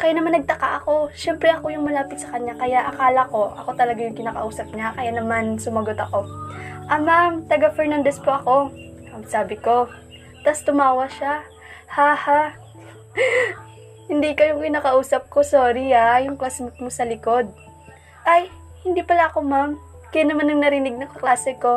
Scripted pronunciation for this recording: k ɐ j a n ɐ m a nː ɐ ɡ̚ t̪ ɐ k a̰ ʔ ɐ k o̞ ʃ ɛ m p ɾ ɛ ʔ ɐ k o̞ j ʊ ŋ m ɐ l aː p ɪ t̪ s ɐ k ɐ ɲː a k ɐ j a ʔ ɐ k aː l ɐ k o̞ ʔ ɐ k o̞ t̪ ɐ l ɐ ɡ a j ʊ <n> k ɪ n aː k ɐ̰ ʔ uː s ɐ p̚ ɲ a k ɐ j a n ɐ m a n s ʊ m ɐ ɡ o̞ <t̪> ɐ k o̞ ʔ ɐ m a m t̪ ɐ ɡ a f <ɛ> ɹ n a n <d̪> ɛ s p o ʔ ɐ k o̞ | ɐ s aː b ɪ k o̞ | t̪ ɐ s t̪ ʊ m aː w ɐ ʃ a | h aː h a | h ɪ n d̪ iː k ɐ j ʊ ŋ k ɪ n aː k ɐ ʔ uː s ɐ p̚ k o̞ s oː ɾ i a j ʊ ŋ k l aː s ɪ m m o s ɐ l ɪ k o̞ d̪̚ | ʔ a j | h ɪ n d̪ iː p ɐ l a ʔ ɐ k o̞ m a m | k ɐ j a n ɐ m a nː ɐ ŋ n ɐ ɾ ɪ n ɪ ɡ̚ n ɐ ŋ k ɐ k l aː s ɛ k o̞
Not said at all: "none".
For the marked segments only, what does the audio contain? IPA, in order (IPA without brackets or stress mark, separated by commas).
ŋ, t̪, ɛ, d̪